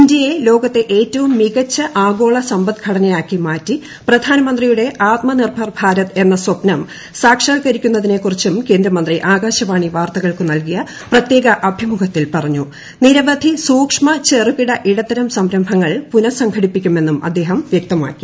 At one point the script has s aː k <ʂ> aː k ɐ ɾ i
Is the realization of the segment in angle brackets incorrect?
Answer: no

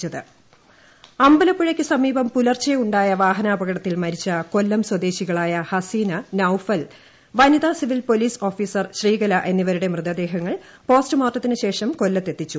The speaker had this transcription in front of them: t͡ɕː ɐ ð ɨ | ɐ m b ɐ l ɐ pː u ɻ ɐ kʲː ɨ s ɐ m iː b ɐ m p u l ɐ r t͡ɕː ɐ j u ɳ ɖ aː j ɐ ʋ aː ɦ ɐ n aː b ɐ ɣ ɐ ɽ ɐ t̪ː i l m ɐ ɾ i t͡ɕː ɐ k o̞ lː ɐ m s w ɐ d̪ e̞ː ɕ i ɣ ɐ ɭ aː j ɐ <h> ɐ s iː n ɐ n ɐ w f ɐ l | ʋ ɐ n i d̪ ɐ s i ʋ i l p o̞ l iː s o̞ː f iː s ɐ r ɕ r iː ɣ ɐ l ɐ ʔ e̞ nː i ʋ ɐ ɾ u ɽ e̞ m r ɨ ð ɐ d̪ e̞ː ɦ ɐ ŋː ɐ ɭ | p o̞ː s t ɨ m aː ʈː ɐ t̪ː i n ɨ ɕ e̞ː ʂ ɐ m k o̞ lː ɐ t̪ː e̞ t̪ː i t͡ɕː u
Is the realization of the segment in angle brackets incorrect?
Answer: no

